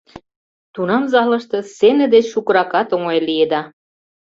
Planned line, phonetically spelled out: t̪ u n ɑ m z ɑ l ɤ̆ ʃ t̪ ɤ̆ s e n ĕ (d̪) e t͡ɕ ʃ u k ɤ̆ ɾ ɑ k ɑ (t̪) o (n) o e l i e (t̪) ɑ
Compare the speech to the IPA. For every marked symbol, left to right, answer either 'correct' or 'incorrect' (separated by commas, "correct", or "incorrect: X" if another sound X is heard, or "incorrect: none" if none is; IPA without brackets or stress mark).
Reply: correct, correct, incorrect: ŋ, incorrect: d̪